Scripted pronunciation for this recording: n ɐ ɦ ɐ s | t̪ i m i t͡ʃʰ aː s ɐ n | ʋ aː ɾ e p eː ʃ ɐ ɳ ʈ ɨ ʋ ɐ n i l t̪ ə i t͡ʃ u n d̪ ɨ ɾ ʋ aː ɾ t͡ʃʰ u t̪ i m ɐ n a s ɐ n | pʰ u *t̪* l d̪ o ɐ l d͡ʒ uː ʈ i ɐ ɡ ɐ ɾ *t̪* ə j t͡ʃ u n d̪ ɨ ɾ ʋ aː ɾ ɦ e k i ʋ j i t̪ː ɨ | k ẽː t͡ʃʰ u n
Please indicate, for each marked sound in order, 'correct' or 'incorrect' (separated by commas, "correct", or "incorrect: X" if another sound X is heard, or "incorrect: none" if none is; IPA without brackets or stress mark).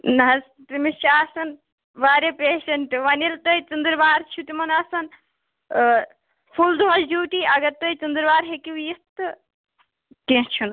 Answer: incorrect: none, correct